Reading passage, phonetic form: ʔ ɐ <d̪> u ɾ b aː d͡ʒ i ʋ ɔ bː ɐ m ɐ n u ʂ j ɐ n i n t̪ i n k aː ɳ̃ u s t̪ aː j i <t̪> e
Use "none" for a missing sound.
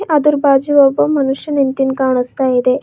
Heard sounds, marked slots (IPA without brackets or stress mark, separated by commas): d̪, d̪